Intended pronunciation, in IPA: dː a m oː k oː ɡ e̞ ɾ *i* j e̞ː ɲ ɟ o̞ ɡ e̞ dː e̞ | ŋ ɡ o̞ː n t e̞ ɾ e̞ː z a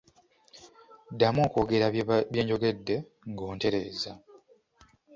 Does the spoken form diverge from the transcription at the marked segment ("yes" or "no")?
yes